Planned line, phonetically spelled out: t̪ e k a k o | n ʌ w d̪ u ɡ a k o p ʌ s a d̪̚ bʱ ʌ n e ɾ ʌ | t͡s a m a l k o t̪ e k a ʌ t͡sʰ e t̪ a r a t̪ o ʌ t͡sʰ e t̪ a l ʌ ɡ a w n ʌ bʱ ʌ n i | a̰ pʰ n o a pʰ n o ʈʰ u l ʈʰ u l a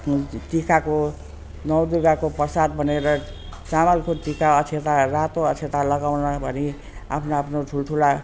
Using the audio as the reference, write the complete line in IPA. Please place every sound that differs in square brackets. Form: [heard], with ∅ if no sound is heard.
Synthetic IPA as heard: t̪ [i] k a k o | n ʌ w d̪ u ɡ a k o p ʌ s a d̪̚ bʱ ʌ n e ɾ ʌ | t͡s a m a l k o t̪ [i] k a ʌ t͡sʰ e t̪ a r a t̪ o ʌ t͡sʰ e t̪ a l ʌ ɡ a w n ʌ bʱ ʌ n i | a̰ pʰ n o a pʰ n o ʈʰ u l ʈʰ u l a